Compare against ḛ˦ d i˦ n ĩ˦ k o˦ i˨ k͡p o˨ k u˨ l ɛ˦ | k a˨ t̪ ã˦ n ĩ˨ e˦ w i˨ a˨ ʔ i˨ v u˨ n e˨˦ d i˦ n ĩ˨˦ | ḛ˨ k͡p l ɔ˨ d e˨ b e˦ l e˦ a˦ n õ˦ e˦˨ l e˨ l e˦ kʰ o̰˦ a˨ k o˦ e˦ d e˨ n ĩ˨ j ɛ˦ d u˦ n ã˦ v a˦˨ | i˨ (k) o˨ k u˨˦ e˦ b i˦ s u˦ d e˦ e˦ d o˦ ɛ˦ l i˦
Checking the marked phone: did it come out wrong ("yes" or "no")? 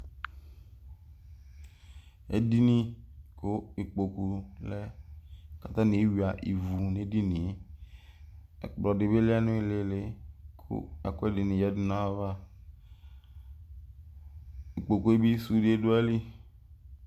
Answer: yes